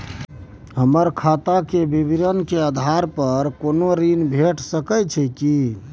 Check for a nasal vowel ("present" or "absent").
absent